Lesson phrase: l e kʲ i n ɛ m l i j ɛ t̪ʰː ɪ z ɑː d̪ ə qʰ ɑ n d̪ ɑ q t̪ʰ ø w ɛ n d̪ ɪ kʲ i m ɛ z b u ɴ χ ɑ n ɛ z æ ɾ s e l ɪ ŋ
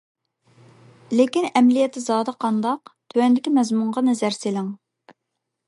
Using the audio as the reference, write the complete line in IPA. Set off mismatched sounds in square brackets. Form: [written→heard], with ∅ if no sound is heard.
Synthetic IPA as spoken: l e kʲ i n ɛ m l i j ɛ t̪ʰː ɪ z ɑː d̪ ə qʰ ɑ n d̪ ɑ q t̪ʰ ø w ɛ n d̪ ɪ kʲ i m ɛ z [b→m] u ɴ [χ→ʁ] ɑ n ɛ z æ ɾ s e l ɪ ŋ

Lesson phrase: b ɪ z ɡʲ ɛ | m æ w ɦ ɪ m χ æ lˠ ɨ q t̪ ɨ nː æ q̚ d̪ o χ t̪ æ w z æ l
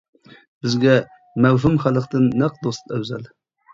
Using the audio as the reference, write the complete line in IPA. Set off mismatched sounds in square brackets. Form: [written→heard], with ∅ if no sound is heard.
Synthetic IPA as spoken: b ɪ z ɡʲ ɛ | m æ w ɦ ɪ m χ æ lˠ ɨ q t̪ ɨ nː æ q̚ d̪ o [χ→s] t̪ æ w z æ l

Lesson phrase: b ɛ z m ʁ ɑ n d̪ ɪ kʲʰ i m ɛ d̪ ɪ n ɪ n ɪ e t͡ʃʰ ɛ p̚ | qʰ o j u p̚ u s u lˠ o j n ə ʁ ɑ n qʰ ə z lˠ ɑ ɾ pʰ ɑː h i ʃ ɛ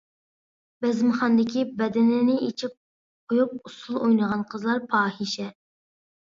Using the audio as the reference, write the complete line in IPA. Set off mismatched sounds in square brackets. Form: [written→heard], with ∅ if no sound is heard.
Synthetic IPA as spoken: b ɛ z m [ʁ→χ] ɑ n d̪ ɪ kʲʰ i [m→b] ɛ d̪ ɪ n ɪ n ɪ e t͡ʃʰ [ɛ→i] p̚ | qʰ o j u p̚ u s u lˠ o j n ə ʁ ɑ n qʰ ə z lˠ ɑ ɾ pʰ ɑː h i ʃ ɛ

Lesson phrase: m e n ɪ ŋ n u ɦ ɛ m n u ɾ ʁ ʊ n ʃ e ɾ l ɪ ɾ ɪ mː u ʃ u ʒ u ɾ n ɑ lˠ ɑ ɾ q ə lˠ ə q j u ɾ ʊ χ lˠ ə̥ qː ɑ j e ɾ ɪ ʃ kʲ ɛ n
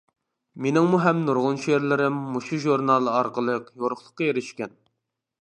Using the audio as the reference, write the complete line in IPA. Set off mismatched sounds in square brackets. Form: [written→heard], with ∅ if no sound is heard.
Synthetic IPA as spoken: m e n ɪ ŋ [n→m] u ɦ ɛ m n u ɾ ʁ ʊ n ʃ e ɾ l ɪ ɾ ɪ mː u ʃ u ʒ u ɾ n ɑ lˠ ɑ ɾ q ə lˠ ə q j [u→o] ɾ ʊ χ lˠ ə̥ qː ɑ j e ɾ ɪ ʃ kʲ ɛ n

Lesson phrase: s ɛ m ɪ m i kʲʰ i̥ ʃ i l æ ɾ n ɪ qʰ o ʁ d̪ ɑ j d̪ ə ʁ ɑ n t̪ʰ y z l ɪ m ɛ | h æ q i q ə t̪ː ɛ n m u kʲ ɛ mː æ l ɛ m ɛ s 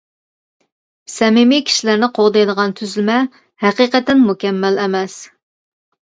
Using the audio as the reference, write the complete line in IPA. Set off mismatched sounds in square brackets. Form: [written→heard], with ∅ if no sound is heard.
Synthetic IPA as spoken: s ɛ m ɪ m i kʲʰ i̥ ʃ i l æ ɾ n ɪ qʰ o ʁ d̪ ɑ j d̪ ə ʁ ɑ n t̪ʰ y z l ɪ m ɛ | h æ q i q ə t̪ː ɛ n m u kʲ ɛ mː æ l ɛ m ɛ s

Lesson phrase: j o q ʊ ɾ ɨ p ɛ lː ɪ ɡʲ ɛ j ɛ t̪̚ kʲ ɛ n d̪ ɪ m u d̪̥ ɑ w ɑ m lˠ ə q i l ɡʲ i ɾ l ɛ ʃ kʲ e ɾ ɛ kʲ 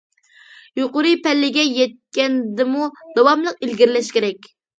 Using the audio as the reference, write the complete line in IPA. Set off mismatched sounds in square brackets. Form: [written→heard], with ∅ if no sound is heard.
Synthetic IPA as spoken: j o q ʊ ɾ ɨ p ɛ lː ɪ ɡʲ ɛ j ɛ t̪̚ kʲ ɛ n d̪ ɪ m u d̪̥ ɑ w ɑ m lˠ ə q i l ɡʲ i ɾ l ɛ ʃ kʲ e ɾ ɛ kʲ

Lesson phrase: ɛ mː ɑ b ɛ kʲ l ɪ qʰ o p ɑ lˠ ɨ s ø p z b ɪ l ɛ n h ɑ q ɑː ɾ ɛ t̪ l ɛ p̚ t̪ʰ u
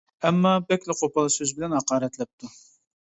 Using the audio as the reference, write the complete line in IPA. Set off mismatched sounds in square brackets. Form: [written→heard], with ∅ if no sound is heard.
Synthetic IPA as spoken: ɛ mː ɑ b ɛ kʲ l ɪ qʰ o p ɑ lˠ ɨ s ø [p→∅] z b ɪ l ɛ n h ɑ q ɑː ɾ ɛ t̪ l ɛ p̚ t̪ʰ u

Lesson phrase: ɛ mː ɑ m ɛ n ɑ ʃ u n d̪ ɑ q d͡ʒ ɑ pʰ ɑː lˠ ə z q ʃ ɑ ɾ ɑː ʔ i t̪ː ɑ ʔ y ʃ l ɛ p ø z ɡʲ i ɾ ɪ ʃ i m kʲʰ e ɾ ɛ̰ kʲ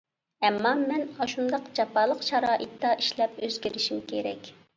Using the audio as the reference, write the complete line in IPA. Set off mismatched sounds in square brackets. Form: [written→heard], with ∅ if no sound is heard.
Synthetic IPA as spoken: ɛ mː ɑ m ɛ n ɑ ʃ u n d̪ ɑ q d͡ʒ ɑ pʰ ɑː lˠ ə [z→∅] q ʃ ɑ ɾ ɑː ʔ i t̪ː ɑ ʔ [y→i] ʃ l ɛ p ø z ɡʲ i ɾ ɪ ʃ i m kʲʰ e ɾ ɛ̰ kʲ

